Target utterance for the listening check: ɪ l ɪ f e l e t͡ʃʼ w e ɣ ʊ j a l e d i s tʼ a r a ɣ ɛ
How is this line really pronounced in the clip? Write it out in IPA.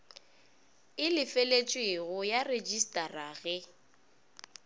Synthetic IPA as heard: ɪ l ɪ f e l e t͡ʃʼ w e ɣ ʊ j a r e d͡ʒ i s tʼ a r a ɣ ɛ

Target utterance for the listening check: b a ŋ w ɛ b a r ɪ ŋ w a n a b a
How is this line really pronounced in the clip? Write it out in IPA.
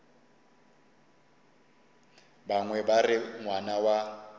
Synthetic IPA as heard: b a ŋ w ɛ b a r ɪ ŋ w a n a w a

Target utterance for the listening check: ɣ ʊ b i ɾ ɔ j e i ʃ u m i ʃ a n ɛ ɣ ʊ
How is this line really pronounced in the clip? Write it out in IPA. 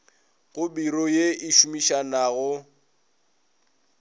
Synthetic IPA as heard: ɣ ʊ b i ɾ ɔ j e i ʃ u m i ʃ a n a ɣ ʊ

